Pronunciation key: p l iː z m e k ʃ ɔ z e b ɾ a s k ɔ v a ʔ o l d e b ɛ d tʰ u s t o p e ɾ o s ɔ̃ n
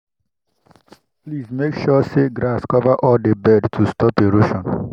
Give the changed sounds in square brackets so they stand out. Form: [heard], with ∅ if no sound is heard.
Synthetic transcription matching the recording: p l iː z m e k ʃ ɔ [s] e [ɡ] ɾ a s k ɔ v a ʔ [ɔ] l d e b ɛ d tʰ u s t [ɔ] p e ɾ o [ʃ] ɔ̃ n